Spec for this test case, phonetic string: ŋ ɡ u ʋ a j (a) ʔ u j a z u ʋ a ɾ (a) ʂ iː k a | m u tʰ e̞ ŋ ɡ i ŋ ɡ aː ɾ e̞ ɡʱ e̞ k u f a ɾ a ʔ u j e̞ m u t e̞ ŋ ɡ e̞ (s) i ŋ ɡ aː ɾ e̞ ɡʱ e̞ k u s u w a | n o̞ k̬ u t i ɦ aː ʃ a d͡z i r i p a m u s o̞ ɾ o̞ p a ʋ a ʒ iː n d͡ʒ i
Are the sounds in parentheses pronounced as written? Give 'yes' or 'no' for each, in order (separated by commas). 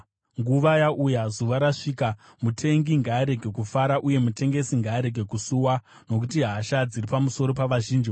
yes, yes, yes